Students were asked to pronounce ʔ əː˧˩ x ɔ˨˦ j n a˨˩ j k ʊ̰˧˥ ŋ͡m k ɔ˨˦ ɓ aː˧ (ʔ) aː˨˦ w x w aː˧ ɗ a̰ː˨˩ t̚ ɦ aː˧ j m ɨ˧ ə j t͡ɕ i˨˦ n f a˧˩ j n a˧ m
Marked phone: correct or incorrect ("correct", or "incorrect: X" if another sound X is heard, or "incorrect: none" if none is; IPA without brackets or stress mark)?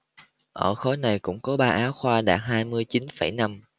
correct